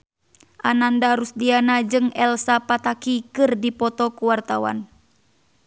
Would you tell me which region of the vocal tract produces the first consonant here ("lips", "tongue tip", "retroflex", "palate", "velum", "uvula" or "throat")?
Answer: throat